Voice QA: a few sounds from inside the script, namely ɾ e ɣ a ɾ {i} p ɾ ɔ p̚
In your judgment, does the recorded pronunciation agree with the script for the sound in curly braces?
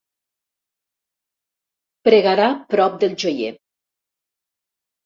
no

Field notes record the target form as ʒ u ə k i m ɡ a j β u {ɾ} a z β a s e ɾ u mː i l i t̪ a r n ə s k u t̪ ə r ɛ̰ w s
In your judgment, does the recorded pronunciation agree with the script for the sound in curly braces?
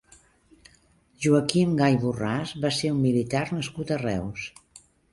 no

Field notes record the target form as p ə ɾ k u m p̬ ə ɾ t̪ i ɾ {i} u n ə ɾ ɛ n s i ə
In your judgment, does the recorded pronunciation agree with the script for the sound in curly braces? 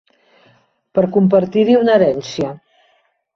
yes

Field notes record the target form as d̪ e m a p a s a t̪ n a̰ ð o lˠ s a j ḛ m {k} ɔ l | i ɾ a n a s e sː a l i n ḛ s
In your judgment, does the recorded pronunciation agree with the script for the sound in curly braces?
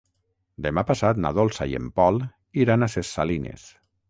no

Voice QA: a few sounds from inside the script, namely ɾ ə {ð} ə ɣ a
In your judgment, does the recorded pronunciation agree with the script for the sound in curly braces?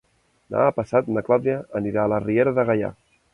yes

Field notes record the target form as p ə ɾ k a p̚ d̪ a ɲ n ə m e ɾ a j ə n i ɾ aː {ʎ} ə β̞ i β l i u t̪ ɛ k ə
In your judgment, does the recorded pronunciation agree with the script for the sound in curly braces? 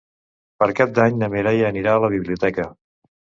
no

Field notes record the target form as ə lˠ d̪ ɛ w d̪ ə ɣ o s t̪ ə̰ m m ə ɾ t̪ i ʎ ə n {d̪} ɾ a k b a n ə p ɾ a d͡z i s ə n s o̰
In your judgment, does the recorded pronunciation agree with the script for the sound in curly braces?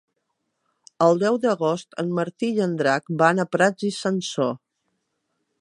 yes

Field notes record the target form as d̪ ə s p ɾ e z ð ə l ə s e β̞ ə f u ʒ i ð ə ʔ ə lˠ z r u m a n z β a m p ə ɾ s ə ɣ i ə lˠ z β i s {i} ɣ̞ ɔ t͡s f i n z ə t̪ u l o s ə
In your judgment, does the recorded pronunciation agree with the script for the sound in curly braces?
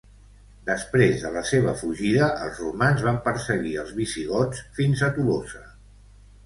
yes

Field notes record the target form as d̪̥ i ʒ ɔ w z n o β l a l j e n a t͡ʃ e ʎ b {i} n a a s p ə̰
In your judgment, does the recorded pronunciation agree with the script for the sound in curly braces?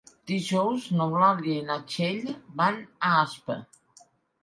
no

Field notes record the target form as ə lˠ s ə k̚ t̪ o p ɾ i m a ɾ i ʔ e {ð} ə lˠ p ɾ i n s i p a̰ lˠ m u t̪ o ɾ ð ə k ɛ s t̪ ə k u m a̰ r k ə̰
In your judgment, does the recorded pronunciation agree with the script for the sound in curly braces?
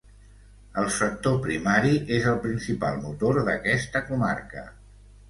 no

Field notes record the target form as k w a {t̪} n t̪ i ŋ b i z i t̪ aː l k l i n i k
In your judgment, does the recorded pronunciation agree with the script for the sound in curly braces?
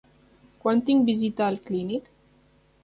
no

